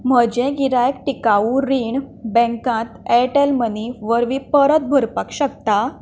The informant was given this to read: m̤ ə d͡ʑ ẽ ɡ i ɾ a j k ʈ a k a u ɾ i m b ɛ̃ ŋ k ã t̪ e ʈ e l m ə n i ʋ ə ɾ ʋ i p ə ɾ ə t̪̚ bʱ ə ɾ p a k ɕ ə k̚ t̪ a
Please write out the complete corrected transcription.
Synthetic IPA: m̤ ə d͡ʑ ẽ ɡ i ɾ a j k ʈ i k a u ɾ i ɳ b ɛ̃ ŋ k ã t̪ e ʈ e l m ə n i ʋ ə ɾ ʋ i p ə ɾ ə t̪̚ bʱ ə ɾ p a k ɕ ə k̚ t̪ a